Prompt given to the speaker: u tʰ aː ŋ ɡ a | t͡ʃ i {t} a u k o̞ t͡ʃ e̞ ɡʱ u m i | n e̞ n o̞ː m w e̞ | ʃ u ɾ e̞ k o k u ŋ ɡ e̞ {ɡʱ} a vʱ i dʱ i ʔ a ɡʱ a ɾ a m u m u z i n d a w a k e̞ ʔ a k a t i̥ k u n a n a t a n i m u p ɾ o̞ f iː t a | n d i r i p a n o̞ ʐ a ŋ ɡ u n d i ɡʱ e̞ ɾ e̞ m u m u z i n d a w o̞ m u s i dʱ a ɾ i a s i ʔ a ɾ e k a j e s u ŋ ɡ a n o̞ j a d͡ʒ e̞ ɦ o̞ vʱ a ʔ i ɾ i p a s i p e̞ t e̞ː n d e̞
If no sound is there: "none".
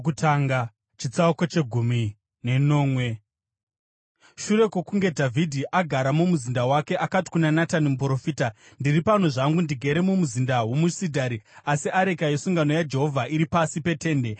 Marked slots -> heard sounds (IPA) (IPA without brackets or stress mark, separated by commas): t͡s, dʱ